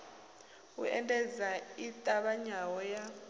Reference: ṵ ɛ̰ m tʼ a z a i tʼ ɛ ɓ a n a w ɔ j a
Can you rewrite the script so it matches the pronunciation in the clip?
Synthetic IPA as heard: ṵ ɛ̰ n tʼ ɛ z a i tʼ a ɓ a ɲ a w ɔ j a

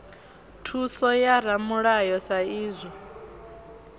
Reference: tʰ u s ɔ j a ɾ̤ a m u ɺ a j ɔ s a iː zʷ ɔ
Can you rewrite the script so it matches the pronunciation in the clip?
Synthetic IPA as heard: tʰ u s ɔ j a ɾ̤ a m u ɺ a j ɔ s a iː zʷ ɔ

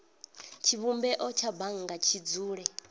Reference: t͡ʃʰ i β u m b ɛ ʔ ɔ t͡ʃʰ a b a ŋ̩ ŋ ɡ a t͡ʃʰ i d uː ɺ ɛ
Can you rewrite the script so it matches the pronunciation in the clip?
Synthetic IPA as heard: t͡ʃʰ i β u m b ɛ ʔ ɔ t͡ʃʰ a b a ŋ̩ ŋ ɡ a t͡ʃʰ i d͡z uː ɺ ɛ

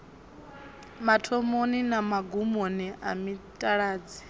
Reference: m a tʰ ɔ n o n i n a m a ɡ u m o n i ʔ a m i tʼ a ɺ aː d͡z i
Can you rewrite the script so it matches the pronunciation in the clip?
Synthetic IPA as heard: m a tʰ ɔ m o n i n a m a ɡ u m o n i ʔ a m i tʼ a ɺ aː d͡z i

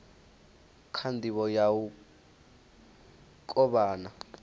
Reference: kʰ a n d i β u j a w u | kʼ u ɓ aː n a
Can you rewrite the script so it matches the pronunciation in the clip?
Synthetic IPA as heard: kʰ a n d i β ɔ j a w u | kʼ ɔ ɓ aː n a

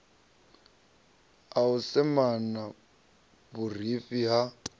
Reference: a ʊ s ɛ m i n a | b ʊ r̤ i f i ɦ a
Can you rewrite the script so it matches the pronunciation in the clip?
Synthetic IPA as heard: a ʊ s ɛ m a n a | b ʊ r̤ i f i ɦ a

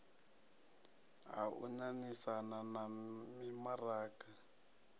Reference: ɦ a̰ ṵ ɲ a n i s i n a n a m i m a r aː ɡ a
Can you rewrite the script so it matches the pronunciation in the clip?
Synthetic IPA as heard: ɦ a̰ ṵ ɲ a n i s a n a n a m i m a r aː k a

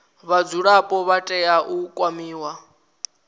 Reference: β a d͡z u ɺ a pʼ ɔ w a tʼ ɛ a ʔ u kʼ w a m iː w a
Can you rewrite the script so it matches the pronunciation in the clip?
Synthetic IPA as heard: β a d͡z u ɺ a pʼ ɔ β a tʼ ɛ a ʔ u kʼ w a m iː w a

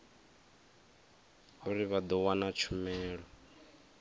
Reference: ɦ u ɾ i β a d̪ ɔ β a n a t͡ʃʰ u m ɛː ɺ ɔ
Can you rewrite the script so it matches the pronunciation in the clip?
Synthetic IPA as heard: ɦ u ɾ i β a d̪ ɔ w a n a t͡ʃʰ u m ɛː ɺ ɔ

